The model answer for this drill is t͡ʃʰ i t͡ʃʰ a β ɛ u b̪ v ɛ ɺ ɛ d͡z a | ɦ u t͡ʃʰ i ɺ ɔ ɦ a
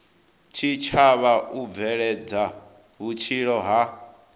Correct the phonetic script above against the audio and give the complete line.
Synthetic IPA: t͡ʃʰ i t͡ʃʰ a β a u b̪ v ɛ ɺ ɛ d͡z a | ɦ u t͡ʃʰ i ɺ ɔ ɦ a